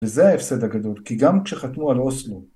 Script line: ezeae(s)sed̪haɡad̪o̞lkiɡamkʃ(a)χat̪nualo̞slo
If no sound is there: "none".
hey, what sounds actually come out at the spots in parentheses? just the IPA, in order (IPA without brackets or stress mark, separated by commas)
f, e